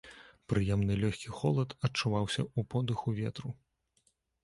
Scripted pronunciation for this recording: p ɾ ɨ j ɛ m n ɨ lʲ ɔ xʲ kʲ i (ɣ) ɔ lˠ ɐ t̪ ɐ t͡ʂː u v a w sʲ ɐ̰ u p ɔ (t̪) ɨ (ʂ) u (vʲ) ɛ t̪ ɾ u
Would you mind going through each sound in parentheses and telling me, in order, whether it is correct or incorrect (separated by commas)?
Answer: incorrect, incorrect, incorrect, correct